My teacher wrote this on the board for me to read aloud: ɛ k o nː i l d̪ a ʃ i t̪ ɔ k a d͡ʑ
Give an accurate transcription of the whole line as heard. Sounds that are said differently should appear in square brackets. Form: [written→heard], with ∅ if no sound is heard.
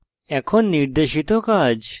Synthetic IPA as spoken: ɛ [k→kʰ] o nː i [l→ɾ] d̪ [a→e] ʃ i t̪ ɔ k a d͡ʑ